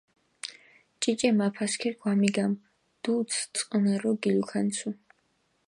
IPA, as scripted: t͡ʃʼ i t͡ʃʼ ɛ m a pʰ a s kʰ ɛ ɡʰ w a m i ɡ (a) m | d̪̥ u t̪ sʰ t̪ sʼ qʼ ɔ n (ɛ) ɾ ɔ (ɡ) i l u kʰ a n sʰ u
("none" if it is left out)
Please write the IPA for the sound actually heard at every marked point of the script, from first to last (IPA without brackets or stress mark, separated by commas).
a, a, ɡ